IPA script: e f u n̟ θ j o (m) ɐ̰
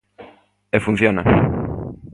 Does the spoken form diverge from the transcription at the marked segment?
yes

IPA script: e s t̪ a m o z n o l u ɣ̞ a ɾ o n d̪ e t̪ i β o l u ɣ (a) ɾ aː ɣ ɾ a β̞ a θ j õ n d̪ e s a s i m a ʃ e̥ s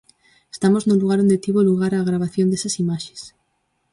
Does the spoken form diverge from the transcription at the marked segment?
no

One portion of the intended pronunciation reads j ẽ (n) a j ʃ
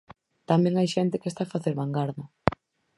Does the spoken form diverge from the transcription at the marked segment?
yes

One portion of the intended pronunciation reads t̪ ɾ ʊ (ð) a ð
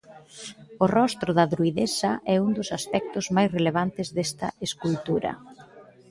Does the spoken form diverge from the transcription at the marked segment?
no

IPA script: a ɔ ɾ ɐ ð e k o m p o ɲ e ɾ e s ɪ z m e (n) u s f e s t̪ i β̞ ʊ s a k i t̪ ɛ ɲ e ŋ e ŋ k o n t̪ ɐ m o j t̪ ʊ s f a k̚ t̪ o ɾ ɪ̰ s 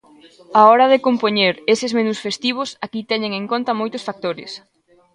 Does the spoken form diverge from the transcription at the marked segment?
no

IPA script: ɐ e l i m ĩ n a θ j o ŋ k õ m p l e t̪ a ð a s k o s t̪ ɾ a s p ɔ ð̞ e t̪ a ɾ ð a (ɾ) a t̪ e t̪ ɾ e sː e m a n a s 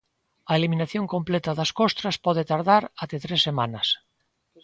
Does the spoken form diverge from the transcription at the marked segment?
no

